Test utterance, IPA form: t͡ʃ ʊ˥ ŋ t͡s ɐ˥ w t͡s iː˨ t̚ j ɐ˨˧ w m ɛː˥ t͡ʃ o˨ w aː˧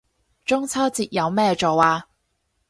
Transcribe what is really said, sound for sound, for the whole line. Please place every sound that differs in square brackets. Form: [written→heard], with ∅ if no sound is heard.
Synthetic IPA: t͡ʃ ʊ˥ ŋ [t͡s→t͡sʰ] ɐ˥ w t͡s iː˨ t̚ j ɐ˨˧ w m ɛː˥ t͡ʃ o˨ w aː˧